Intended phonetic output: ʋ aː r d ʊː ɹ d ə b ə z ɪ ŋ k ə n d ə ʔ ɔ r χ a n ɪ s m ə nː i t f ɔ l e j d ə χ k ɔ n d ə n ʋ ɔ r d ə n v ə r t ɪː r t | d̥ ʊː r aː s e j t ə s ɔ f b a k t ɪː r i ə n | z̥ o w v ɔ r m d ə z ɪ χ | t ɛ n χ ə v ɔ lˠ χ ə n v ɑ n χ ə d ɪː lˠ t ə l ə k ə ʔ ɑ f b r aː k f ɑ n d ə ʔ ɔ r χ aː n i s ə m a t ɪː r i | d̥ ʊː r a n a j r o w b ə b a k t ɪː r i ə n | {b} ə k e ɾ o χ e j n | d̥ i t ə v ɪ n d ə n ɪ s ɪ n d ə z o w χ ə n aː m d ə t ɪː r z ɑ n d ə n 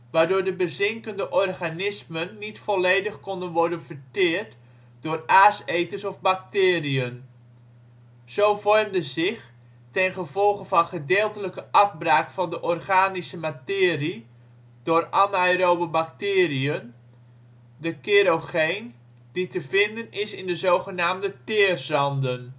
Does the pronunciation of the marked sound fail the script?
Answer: yes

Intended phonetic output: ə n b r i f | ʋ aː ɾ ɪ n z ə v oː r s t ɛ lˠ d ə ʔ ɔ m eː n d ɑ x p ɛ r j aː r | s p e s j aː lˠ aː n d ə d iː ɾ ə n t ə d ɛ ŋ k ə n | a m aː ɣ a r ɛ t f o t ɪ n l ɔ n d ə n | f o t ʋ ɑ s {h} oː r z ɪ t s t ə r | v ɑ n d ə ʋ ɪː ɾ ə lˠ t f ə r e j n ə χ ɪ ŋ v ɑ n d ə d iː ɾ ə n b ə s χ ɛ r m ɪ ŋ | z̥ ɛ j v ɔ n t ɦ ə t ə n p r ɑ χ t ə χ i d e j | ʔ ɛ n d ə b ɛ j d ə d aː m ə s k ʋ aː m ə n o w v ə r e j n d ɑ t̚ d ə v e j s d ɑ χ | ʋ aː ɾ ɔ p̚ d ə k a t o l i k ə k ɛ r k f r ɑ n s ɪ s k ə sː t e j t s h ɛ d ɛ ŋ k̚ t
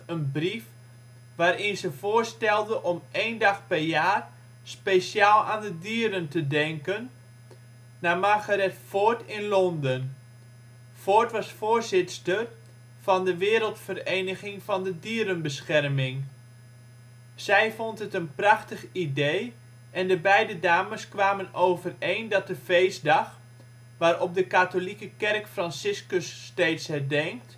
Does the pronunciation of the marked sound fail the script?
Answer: yes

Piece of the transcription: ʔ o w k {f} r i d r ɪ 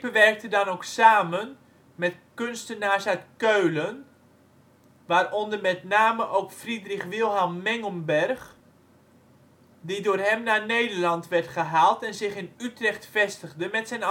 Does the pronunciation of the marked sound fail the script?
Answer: no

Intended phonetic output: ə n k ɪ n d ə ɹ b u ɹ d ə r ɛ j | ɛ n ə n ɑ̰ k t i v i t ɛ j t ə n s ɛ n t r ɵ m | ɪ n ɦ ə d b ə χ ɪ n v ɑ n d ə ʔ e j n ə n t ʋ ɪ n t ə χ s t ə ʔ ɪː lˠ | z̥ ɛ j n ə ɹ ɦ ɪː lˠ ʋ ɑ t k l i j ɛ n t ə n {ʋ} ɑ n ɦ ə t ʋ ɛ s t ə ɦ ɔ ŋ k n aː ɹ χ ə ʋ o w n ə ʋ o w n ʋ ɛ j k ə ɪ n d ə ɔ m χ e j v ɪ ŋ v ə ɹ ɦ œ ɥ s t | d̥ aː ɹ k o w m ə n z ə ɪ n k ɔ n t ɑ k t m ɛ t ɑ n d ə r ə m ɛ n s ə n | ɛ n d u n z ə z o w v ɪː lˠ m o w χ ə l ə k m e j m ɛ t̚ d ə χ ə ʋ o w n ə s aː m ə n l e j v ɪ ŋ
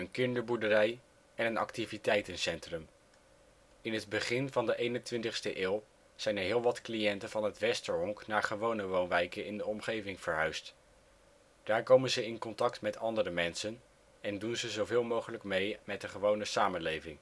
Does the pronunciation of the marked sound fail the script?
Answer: yes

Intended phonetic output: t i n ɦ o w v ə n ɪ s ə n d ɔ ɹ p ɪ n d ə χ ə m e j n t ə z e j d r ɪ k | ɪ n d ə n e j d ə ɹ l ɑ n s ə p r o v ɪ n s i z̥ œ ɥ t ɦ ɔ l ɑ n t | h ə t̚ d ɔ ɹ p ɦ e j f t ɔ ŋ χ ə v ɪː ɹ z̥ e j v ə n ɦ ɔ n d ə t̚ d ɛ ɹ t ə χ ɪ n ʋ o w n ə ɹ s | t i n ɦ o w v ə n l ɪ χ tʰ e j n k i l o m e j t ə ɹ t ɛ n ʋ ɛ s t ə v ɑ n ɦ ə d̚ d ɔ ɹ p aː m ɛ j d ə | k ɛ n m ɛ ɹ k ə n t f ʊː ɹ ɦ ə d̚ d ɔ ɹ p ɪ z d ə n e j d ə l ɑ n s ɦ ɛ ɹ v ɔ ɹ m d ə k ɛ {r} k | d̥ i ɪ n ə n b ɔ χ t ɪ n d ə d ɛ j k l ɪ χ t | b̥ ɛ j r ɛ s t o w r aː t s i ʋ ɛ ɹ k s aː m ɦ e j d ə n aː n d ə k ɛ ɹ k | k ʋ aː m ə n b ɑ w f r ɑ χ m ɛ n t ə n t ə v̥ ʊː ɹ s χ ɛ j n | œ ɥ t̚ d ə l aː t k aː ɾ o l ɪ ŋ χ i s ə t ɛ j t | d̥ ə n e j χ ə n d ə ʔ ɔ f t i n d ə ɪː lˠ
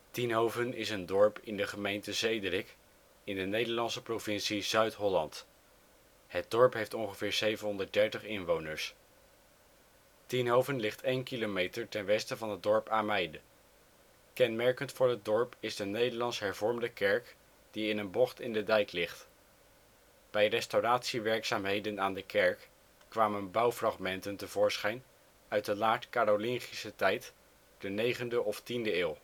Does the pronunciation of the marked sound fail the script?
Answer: yes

